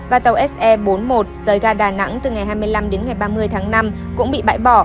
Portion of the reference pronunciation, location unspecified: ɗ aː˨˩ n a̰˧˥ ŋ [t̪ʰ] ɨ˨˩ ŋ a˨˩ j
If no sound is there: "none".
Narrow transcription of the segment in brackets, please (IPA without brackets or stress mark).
t̪